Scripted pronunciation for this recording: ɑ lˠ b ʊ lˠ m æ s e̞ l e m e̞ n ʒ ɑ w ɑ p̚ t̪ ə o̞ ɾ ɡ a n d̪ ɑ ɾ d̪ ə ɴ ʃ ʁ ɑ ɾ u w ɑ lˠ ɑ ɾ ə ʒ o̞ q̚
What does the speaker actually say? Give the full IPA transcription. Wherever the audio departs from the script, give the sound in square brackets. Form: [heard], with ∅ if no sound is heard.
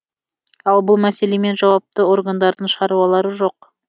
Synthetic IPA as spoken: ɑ lˠ b ʊ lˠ m æ s e̞ l e m e̞ n ʒ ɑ w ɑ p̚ t̪ ə o̞ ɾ ɡ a n d̪ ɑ ɾ d̪ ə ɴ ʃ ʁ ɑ ɾ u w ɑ lˠ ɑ ɾ ə ʒ o̞ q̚

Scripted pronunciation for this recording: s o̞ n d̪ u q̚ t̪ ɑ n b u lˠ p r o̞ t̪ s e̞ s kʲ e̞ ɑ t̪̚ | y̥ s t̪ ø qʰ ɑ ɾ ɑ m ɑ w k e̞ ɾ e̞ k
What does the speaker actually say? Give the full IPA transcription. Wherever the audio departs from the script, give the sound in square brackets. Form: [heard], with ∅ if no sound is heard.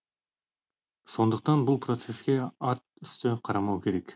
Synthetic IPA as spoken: s o̞ n d̪ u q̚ t̪ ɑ n b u lˠ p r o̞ t̪ s e̞ s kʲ e̞ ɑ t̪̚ | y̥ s t̪ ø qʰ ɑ ɾ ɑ m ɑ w k e̞ ɾ e̞ k

